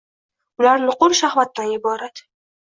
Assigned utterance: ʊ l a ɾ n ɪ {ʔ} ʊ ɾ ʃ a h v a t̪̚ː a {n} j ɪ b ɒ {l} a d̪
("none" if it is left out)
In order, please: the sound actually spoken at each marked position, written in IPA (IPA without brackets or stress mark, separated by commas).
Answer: q, n, ɾ